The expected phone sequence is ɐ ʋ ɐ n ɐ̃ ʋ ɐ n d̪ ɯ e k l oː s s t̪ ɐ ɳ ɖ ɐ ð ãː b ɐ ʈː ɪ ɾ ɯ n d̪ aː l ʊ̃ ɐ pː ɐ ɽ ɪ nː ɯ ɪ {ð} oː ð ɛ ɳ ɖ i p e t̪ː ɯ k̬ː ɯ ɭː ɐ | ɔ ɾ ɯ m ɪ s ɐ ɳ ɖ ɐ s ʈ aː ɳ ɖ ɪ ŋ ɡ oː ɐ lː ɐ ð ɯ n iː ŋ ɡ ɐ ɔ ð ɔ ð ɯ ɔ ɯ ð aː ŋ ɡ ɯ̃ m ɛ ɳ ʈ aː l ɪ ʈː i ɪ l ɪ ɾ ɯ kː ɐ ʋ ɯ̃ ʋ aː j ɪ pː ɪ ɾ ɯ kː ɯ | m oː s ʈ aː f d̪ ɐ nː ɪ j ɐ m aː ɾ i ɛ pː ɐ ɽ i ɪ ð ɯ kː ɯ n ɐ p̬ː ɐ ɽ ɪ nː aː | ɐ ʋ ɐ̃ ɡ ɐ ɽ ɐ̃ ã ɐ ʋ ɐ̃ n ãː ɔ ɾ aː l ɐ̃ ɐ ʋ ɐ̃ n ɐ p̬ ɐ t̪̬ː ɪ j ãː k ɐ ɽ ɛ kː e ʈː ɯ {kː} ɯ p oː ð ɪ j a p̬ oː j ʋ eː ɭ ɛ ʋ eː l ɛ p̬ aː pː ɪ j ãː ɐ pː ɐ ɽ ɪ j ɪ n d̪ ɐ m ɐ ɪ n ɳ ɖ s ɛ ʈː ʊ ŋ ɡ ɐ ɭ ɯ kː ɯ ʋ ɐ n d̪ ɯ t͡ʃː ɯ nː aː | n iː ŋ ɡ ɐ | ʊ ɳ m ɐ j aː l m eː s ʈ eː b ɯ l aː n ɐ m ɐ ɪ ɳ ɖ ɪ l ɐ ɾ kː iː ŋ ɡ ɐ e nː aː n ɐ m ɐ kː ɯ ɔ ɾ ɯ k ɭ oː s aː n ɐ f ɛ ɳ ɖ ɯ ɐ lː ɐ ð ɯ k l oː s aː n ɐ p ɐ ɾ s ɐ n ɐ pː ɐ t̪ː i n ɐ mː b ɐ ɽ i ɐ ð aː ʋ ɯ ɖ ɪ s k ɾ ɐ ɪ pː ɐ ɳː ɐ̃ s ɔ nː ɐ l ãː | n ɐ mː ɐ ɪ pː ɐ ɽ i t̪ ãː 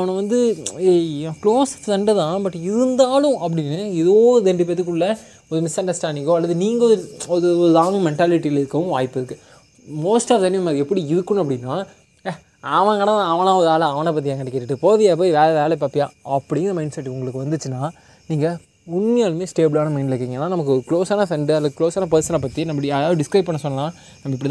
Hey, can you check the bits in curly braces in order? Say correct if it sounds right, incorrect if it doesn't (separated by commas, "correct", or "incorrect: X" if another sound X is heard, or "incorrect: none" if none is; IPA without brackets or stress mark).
correct, incorrect: ʈː